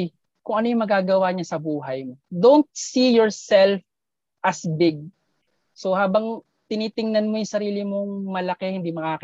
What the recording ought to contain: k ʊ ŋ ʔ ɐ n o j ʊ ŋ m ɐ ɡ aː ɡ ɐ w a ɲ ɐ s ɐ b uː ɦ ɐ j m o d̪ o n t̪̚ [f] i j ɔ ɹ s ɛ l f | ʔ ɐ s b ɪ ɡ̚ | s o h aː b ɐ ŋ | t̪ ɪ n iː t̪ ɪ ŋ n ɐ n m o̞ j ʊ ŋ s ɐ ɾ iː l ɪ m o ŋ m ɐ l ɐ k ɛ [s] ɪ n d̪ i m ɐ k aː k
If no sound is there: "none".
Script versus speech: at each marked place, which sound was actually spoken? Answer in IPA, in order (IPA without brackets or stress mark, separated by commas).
s, h